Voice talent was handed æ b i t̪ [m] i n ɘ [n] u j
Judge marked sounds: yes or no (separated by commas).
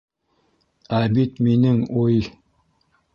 yes, no